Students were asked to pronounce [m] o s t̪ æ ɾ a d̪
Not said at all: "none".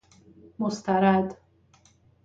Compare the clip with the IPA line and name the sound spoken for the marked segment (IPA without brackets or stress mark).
m